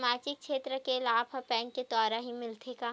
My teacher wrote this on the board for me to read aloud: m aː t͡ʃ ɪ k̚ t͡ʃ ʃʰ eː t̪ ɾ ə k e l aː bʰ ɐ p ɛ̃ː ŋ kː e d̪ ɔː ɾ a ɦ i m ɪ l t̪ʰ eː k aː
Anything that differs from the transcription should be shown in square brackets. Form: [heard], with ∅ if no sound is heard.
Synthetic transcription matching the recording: m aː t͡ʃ ɪ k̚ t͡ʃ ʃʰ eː t̪ ɾ ə k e l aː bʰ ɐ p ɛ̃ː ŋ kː e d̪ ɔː ɾ a ɦ i m ɪ l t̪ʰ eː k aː